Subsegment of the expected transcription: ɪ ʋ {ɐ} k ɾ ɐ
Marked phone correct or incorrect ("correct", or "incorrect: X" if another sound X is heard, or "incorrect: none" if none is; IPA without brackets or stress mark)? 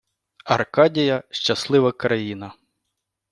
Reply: correct